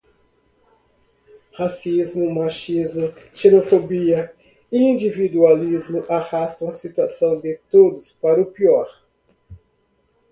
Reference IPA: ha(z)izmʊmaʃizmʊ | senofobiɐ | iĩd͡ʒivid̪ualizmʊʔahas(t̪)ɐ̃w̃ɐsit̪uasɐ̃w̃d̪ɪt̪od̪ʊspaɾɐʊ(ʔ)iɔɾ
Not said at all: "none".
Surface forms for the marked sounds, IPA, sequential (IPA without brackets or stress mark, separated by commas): s, t̪, p